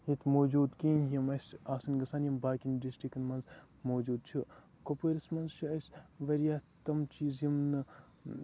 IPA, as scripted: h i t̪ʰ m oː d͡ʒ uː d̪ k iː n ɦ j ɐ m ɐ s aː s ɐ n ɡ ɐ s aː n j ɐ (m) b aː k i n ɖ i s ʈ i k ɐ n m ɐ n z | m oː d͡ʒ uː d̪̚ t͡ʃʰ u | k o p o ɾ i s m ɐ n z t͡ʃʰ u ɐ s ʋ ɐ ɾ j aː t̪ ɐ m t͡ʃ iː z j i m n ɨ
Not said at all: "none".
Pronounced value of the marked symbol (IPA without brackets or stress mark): m